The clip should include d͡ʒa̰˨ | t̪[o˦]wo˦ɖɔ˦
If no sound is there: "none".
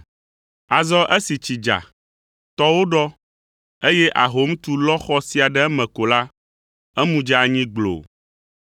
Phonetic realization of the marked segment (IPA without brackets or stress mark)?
ɔ˦